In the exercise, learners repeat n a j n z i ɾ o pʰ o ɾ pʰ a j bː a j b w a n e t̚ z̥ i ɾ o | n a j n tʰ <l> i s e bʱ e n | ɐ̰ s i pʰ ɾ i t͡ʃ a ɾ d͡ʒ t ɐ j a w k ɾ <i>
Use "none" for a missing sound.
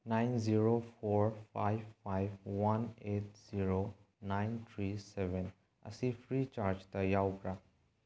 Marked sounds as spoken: ɾ, a

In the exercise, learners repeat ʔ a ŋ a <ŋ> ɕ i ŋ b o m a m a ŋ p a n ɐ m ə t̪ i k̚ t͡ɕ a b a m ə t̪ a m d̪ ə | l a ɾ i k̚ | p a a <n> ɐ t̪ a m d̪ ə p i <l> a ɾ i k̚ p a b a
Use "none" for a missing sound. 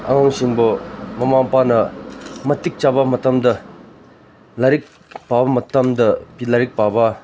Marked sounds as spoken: ŋ, m, l

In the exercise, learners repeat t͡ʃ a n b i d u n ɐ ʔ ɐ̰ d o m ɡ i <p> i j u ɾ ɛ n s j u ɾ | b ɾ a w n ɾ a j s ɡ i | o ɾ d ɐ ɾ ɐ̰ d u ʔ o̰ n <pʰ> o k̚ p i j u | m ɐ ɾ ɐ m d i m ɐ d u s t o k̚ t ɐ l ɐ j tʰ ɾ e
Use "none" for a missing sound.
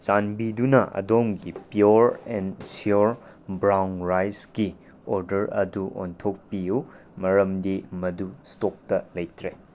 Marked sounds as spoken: p, tʰ

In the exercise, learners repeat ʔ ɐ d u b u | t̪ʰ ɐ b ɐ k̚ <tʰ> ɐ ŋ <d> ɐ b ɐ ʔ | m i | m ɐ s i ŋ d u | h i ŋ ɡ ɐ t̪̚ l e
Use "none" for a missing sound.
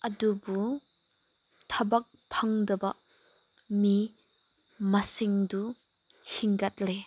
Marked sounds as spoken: pʰ, d

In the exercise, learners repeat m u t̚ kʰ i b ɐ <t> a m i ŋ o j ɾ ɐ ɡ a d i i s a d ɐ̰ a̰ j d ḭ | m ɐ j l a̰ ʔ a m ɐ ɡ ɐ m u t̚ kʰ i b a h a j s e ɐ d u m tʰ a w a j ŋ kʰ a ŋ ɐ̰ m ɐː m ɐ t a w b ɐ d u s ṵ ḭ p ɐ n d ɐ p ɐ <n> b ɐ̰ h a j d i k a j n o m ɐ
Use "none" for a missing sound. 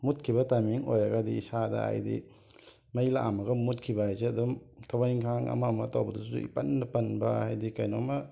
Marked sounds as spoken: t, n

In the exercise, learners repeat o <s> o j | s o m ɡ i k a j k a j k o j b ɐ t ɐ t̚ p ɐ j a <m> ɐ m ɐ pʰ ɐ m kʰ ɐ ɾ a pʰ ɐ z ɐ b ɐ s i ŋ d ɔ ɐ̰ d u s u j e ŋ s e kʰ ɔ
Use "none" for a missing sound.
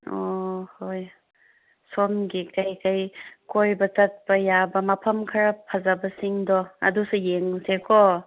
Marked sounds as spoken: h, b

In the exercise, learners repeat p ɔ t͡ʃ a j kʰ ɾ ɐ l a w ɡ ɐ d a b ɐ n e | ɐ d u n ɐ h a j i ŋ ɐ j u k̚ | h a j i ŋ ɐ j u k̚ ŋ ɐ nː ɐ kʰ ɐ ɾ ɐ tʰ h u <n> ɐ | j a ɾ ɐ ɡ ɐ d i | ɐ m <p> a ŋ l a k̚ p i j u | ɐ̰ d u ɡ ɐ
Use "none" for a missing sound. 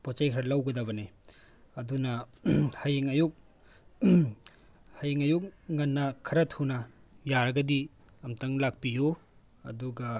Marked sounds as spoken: n, t

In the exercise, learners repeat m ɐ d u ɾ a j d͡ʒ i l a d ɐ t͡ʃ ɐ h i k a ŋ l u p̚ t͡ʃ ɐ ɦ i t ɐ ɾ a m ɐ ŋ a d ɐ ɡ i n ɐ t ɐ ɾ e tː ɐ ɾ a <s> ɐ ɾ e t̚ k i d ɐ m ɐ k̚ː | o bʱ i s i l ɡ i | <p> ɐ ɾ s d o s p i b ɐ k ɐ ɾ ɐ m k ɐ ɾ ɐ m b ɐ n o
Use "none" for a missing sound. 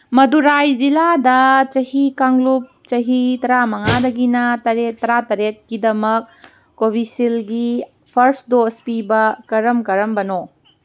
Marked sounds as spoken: t, pʰ

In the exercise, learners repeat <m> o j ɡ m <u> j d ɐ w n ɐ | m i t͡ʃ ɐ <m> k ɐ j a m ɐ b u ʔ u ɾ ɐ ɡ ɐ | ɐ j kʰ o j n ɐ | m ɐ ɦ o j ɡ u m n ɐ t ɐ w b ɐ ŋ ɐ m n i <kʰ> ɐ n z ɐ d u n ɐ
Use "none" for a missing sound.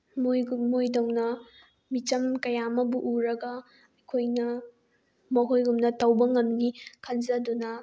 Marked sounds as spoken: m, o, m, kʰ

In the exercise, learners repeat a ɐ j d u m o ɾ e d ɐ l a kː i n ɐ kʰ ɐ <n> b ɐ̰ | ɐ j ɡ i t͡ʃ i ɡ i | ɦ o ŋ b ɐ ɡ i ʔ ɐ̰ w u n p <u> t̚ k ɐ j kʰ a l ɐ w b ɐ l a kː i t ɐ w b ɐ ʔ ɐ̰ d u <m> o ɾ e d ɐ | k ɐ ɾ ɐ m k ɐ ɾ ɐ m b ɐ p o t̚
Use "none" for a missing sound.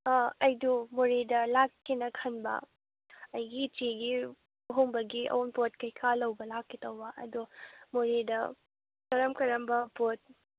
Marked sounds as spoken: n, o, m

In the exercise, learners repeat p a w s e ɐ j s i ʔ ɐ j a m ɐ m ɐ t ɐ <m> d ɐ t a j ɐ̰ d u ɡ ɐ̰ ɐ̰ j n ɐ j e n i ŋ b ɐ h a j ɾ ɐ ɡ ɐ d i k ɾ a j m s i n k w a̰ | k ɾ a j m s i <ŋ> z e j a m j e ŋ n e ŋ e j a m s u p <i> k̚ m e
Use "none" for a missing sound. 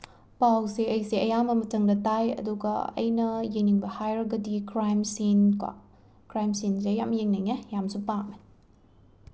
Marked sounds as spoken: ŋ, n, a

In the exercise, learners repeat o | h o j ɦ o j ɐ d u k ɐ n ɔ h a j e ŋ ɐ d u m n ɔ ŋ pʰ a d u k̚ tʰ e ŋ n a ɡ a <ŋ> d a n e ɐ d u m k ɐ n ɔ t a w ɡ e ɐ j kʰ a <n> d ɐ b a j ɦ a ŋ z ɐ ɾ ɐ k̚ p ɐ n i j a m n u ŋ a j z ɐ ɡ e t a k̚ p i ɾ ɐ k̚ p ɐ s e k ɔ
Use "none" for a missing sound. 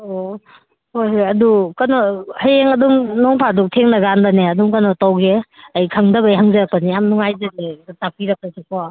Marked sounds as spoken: n, ŋ

